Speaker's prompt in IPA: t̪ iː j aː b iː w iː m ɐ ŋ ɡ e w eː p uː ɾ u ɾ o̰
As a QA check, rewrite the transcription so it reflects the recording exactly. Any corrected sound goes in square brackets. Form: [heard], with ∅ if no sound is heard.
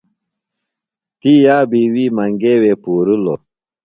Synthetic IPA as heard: t̪ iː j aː b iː w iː m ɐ ŋ ɡ e w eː p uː ɾ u [l] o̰

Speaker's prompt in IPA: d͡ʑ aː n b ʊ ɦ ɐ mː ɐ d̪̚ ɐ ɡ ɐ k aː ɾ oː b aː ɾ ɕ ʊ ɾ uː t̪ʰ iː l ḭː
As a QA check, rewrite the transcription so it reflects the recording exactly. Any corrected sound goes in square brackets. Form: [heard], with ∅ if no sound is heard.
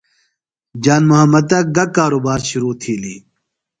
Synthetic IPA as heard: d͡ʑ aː n [m] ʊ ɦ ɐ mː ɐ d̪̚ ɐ ɡ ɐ k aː ɾ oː b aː ɾ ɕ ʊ ɾ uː t̪ʰ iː l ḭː

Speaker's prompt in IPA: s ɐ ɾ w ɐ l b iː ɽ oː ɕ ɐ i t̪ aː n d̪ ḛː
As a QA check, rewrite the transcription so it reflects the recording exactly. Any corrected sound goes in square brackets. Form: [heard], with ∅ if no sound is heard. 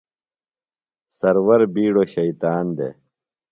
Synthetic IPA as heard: s ɐ ɾ w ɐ [ɾ] b iː ɽ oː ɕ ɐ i t̪ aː n d̪ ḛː

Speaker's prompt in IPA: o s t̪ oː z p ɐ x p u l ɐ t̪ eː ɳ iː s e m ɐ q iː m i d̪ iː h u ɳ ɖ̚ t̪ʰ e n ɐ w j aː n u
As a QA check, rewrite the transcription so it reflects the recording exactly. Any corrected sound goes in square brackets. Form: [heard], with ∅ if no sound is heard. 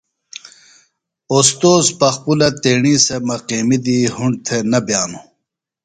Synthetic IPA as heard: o s t̪ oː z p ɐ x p u l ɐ t̪ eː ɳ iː s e m ɐ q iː m i d̪ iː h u ɳ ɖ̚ t̪ʰ e n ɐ [b] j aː n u

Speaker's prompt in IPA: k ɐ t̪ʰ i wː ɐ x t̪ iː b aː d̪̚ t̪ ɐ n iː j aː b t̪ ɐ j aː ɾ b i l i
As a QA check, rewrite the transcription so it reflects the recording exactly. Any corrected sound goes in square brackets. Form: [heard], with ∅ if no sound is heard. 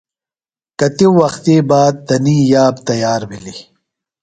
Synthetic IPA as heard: k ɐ [t̪] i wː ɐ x t̪ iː b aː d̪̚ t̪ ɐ n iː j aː b t̪ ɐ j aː ɾ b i l i

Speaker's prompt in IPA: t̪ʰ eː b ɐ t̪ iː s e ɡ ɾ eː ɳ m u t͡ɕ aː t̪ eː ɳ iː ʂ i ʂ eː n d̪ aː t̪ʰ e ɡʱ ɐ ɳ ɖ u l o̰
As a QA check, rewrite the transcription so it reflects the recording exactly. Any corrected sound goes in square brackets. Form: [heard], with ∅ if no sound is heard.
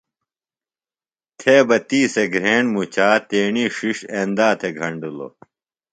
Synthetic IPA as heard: t̪ʰ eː b ɐ t̪ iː s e ɡ ɾ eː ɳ m u t͡ɕ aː t̪ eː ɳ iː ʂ i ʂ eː n d̪ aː t̪ʰ e ɡʱ ɐ ɳ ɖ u l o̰

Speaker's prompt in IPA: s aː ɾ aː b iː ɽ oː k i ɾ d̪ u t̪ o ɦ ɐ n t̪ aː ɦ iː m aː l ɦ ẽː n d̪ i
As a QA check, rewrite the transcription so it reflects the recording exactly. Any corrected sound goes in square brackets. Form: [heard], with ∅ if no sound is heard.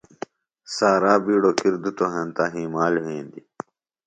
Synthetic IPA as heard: s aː ɾ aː b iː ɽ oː k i ɾ d̪ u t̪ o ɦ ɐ n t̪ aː ɦ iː m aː l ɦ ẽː n d̪ i

